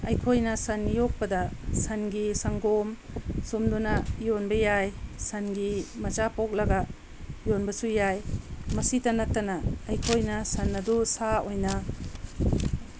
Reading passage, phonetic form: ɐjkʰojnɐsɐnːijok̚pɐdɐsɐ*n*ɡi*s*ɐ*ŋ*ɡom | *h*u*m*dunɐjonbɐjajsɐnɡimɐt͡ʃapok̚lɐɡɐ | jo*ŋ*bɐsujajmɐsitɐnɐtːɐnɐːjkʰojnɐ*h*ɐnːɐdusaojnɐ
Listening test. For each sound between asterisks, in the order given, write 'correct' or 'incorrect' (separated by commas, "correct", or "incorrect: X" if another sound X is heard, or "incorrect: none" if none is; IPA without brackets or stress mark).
correct, correct, correct, incorrect: s, correct, incorrect: n, incorrect: s